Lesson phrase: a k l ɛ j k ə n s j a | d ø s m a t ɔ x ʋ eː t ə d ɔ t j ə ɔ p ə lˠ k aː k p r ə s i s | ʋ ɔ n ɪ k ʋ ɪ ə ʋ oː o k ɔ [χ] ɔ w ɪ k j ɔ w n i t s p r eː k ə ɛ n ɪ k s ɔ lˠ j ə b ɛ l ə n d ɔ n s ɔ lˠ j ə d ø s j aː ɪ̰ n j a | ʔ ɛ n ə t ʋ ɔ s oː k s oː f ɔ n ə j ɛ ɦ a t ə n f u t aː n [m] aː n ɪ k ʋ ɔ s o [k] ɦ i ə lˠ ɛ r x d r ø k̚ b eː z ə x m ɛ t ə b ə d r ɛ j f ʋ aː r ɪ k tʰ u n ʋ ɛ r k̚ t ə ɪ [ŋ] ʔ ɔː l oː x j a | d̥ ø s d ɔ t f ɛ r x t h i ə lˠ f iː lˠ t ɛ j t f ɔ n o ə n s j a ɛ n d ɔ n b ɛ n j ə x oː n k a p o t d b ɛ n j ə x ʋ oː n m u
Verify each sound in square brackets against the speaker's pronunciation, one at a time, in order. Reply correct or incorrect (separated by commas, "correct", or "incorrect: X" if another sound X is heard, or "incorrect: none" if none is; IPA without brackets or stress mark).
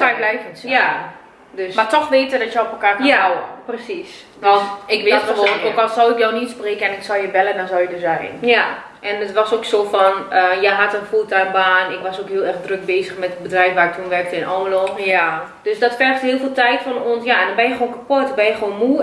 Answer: incorrect: s, incorrect: b, correct, incorrect: n